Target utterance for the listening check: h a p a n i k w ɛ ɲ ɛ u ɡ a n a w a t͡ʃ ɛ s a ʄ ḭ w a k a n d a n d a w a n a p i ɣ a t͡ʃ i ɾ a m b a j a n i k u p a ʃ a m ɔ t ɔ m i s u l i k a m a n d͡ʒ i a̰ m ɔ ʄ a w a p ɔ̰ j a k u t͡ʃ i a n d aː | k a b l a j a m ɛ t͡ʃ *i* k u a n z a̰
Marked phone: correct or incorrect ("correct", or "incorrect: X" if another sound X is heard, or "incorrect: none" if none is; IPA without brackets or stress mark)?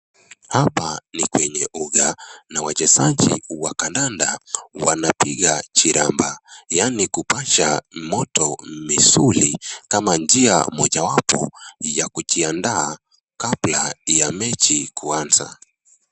correct